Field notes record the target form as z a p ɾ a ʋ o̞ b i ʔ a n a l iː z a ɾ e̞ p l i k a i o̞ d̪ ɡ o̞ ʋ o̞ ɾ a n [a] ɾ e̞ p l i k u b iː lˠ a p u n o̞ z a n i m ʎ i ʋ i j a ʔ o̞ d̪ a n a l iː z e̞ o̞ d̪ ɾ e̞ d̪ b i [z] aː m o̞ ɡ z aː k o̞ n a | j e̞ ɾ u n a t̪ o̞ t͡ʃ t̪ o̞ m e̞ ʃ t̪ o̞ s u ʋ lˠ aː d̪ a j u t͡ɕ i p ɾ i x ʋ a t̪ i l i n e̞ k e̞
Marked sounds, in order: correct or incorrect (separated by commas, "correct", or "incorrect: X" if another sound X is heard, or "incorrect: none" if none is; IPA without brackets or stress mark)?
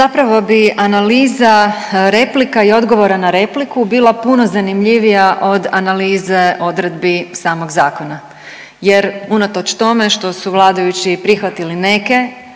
correct, incorrect: s